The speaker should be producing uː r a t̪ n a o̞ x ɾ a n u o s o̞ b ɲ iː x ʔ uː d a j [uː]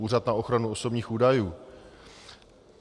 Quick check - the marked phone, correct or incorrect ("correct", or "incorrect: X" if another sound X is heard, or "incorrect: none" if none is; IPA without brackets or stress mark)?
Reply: correct